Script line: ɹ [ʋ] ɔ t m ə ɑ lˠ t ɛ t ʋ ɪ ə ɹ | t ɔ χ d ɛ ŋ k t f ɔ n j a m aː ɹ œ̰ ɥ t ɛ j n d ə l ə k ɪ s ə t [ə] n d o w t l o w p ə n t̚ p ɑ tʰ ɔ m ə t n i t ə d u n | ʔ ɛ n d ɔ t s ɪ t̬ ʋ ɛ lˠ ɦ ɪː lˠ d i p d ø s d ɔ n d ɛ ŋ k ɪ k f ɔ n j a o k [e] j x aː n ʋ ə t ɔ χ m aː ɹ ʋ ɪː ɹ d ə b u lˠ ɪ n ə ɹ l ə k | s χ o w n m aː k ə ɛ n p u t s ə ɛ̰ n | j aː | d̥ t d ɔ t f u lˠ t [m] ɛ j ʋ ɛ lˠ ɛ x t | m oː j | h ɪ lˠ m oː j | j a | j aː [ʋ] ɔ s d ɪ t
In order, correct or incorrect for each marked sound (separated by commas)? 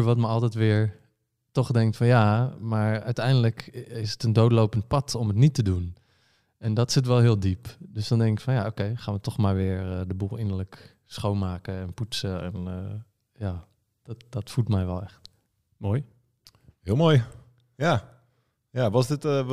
correct, correct, correct, correct, correct